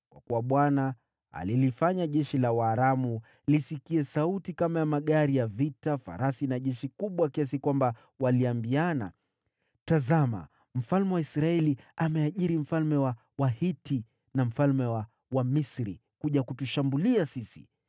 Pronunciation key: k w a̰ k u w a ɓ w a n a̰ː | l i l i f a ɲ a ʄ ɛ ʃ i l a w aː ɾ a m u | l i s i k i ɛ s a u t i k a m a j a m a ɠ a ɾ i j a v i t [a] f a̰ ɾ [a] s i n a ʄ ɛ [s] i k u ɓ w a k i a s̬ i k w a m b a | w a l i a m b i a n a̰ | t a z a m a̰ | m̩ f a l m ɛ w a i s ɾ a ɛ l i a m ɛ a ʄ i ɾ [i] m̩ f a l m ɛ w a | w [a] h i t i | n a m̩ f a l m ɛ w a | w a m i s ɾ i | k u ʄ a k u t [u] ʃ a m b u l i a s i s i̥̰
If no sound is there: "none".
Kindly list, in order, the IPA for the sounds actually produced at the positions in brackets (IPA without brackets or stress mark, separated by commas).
a, a, ʃ, i, a, u